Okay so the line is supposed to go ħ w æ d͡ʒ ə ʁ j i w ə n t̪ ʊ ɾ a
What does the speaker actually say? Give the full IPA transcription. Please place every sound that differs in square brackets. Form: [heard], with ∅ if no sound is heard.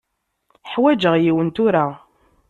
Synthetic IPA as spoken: ħ w æ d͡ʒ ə ʁ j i w ə n t̪ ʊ ɾ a